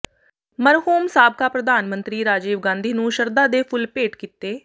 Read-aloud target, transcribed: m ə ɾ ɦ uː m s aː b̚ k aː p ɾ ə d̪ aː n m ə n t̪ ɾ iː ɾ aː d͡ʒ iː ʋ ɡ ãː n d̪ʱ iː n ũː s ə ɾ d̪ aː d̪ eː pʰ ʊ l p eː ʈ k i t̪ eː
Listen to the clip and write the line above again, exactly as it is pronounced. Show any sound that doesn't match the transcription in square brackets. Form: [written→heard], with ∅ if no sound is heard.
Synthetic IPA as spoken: m ə ɾ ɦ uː m s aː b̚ k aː p ɾ ə d̪ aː n m ə n t̪ ɾ iː ɾ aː d͡ʒ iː ʋ ɡ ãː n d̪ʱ iː n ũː [s→ʃ] ə ɾ d̪ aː d̪ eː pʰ ʊ l p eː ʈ k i t̪ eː